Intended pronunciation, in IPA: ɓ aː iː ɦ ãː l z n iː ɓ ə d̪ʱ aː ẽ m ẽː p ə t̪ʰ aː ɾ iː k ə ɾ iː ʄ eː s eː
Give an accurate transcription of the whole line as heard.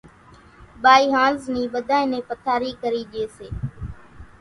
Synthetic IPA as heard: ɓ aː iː ɦ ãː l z n iː ɓ ə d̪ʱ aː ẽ n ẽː p ə t̪ʰ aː ɾ iː k ə ɾ iː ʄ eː s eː